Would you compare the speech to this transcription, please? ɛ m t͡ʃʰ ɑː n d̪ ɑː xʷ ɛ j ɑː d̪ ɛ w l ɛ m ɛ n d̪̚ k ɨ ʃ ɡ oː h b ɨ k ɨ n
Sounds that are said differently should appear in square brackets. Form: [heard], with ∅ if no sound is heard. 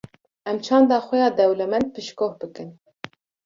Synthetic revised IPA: ɛ m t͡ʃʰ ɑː n d̪ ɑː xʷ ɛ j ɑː d̪ ɛ w l ɛ m ɛ n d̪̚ [p] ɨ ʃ [k] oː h b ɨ k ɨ n